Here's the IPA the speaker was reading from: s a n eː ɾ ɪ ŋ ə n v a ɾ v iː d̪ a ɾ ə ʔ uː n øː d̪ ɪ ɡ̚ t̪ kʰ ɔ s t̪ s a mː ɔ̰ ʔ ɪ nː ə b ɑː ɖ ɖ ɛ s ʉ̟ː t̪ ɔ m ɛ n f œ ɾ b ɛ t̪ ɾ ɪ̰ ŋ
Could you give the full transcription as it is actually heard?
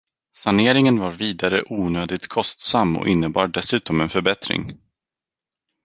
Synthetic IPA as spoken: s a n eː ɾ ɪ ŋ ə n v a ɾ v iː d̪ a ɾ ə ʔ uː n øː d̪ ɪ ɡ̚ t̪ kʰ ɔ s t̪ s a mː ɔ̰ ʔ ɪ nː ə b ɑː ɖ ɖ ɛ s ʉ̟ː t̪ ɔ m ɛ n f œ ɾ b ɛ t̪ ɾ ɪ̰ ŋ